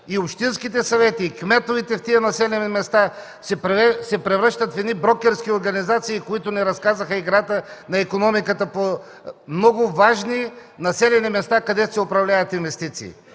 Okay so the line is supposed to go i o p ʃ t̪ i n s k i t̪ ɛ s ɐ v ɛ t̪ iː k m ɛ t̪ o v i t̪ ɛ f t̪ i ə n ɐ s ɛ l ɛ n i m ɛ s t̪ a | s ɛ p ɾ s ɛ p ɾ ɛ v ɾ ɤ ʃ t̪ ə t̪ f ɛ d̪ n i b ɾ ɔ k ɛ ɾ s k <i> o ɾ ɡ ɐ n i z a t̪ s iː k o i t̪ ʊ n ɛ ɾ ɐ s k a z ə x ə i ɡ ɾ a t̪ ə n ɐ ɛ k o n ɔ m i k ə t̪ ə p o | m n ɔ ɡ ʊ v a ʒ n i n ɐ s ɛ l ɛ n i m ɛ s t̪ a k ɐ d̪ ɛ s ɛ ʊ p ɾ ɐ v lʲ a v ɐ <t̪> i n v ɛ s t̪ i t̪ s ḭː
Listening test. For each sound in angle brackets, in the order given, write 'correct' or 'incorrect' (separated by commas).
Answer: correct, correct